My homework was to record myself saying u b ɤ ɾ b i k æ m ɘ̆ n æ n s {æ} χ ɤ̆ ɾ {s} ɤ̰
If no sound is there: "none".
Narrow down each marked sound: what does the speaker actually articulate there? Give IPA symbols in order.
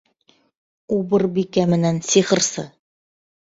i, s

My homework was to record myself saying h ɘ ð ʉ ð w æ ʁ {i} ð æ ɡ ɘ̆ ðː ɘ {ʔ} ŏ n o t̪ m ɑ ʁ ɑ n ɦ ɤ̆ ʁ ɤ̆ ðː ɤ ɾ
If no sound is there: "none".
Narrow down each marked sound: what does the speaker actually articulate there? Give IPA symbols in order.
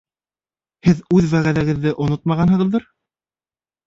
æ, ʔ

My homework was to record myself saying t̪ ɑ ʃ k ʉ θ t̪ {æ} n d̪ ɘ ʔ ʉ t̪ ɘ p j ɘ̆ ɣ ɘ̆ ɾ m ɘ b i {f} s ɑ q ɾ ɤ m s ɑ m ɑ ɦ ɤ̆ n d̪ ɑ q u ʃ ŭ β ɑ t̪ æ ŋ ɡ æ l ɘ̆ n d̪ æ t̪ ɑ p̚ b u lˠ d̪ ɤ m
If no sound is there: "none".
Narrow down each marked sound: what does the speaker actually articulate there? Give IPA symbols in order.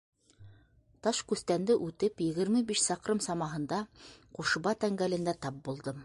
æ, ʃ

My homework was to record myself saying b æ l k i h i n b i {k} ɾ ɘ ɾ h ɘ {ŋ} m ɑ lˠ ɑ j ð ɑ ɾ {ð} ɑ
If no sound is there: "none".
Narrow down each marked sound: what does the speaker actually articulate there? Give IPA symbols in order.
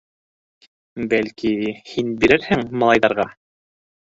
none, ŋ, ʁ

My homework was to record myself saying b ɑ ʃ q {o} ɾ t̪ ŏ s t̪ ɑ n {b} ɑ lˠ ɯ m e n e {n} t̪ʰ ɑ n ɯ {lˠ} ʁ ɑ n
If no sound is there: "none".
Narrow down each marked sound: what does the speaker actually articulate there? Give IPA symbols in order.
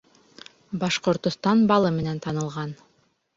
o, b, n, lˠ

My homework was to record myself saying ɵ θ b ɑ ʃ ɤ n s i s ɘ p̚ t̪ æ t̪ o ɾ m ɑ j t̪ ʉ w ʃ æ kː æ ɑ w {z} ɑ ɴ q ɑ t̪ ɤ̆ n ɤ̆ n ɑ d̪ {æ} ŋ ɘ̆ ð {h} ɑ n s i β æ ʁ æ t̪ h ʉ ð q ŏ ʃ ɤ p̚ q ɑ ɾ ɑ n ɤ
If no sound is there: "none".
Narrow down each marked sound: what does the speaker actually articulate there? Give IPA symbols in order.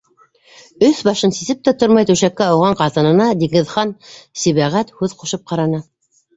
ʁ, i, χ

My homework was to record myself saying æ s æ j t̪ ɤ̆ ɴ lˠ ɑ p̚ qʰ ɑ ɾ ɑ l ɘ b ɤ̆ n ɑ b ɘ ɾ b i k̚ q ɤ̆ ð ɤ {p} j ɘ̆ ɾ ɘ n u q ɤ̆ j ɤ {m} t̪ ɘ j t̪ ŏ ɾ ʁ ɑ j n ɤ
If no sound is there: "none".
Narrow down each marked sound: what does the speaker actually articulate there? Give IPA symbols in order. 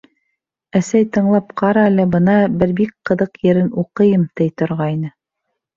q, m

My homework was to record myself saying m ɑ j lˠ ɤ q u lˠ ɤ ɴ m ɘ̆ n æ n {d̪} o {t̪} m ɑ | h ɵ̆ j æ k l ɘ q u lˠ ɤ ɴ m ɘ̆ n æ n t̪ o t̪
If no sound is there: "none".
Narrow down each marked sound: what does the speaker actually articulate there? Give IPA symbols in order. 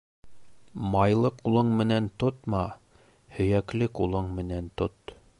t̪, t̪

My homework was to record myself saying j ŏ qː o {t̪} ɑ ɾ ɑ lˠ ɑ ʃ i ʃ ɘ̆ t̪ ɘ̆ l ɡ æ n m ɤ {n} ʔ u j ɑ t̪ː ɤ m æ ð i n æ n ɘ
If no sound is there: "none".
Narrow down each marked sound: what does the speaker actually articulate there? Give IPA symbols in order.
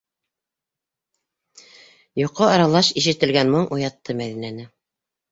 none, ɴ

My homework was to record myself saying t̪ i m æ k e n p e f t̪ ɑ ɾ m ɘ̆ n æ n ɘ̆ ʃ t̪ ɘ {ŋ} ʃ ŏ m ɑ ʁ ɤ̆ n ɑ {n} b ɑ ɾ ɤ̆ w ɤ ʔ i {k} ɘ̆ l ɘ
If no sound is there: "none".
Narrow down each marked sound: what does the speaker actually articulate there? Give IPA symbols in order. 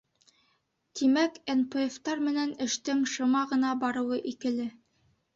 ŋ, none, k

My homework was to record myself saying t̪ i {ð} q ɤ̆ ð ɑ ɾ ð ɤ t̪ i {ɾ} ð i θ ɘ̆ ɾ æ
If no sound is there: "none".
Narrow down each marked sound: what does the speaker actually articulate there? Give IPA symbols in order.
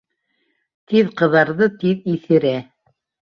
ð, none

